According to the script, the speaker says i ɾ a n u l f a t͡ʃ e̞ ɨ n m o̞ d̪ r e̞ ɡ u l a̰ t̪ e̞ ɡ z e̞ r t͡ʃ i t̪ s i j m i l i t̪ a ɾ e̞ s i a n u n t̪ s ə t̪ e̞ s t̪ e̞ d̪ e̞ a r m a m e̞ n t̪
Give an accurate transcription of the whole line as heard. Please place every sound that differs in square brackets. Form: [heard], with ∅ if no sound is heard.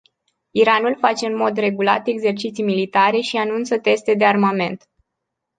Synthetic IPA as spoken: i ɾ a n u l f a t͡ʃ e̞ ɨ n m o̞ d̪ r e̞ ɡ u l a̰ t̪ e̞ ɡ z e̞ r t͡ʃ i t̪ s i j m i l i t̪ a ɾ e̞ [ʃ] i a n u n t̪ s ə t̪ e̞ s t̪ e̞ d̪ e̞ a r m a m e̞ n t̪